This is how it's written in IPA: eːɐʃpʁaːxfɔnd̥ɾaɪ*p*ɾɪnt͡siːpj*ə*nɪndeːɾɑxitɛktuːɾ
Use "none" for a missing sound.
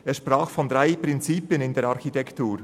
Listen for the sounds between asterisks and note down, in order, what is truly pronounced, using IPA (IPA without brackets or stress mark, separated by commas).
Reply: p, ə